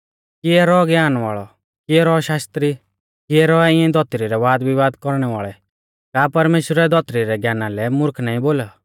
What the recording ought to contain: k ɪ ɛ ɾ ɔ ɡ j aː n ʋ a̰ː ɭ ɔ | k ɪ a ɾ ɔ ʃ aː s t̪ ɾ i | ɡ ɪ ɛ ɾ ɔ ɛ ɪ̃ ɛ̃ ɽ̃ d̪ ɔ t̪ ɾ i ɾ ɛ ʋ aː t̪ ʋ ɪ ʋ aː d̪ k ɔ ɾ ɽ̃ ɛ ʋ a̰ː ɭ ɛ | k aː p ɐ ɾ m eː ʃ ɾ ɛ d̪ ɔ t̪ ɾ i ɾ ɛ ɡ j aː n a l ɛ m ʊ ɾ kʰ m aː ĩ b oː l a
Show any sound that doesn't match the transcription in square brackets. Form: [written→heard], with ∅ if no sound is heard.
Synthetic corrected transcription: k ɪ ɛ ɾ ɔ ɡ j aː n ʋ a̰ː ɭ ɔ | k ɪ [a→ɛ] ɾ ɔ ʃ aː s t̪ ɾ i | [ɡ→k] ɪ ɛ ɾ ɔ ɛ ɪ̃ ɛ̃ [ɽ̃→∅] d̪ ɔ t̪ ɾ i ɾ ɛ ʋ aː [t̪→d̪] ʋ ɪ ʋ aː d̪ k ɔ ɾ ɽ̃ ɛ ʋ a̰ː ɭ ɛ | k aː p ɐ ɾ m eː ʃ ɾ ɛ d̪ ɔ t̪ ɾ i ɾ ɛ ɡ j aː n a l ɛ m ʊ ɾ kʰ [m→n] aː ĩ b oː l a

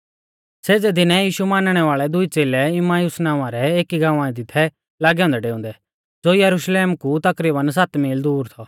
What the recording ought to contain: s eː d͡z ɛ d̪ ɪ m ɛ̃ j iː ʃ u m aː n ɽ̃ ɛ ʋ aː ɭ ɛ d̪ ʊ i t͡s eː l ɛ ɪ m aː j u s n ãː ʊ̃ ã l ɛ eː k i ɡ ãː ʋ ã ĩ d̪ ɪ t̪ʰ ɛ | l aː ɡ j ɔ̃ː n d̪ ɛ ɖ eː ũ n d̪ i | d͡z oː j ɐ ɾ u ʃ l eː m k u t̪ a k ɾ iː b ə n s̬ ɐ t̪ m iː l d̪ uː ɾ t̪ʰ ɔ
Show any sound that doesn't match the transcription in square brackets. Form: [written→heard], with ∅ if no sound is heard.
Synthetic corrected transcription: s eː d͡z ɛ d̪ ɪ [m→n] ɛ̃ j iː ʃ u m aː n ɽ̃ ɛ ʋ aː ɭ ɛ d̪ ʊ i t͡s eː l ɛ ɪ m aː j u s n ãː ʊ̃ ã [l→ɾ] ɛ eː k i ɡ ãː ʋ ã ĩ d̪ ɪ t̪ʰ ɛ | l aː ɡ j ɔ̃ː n d̪ ɛ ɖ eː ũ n d̪ [i→ɛ] | d͡z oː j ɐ ɾ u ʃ l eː m k u t̪ [a→ɐ] k ɾ iː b ə n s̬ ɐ t̪ m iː l d̪ uː ɾ t̪ʰ ɔ

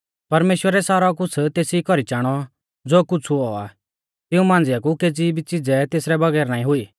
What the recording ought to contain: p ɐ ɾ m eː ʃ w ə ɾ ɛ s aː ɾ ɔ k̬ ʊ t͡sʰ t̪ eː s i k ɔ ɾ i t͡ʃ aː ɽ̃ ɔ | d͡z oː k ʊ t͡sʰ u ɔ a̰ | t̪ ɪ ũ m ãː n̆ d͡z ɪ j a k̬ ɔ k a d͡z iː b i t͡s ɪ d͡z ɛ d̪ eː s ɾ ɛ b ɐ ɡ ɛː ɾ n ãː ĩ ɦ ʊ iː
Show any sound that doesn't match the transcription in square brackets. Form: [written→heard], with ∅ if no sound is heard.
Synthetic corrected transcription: p ɐ ɾ m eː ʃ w ə ɾ ɛ s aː ɾ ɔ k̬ ʊ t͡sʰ t̪ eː s i k ɔ ɾ i t͡ʃ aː ɽ̃ ɔ | d͡z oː k ʊ t͡sʰ u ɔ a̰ | t̪ ɪ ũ m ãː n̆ d͡z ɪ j a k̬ [ɔ→u] k [a→e] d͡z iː b i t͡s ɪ d͡z ɛ [d̪→t̪] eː s ɾ ɛ b ɐ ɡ ɛː ɾ n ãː ĩ ɦ ʊ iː

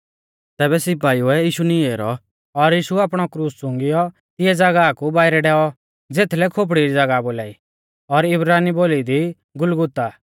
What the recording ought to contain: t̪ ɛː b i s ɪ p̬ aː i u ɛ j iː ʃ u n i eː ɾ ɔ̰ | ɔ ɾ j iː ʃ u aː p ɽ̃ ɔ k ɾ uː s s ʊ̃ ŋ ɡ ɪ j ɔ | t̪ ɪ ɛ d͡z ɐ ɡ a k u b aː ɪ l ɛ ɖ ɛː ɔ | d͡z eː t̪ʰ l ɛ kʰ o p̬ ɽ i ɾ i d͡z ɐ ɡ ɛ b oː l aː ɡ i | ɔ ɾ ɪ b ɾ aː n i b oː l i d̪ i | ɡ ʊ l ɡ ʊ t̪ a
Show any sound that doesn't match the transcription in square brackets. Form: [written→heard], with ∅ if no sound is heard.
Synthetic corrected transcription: t̪ ɛː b [i→ɛ] s ɪ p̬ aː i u ɛ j iː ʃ u n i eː ɾ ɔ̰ | ɔ ɾ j iː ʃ u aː p ɽ̃ ɔ k ɾ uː s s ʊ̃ ŋ ɡ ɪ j ɔ | t̪ ɪ ɛ d͡z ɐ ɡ a k u b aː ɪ [l→ɾ] ɛ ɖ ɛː ɔ | d͡z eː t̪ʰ l ɛ kʰ o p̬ ɽ i ɾ i d͡z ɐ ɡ [ɛ→a] b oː l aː [ɡ→∅] i | ɔ ɾ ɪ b ɾ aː n i b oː l i d̪ i | ɡ ʊ l ɡ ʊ t̪ a

